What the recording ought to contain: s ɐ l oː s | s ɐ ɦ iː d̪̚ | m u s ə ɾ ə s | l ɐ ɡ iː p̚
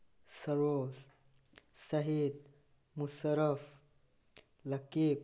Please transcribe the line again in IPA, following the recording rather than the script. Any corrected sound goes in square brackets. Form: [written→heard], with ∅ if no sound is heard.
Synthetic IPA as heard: s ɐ [l→ɾ] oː s | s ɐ ɦ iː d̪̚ | m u s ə ɾ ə [s→f] | l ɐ [ɡ→k] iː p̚